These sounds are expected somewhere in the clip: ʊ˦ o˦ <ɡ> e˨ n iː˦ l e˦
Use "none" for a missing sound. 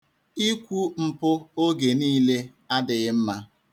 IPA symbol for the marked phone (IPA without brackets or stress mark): ɡ